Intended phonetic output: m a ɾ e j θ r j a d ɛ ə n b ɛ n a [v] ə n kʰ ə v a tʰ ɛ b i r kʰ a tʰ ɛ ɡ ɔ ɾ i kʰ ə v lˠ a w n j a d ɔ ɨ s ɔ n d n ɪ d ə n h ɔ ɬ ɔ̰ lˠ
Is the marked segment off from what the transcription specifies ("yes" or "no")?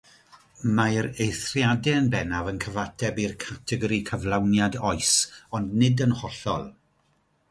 no